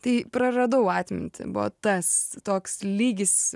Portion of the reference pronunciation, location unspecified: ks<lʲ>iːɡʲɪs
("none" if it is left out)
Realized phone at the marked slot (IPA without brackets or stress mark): lʲ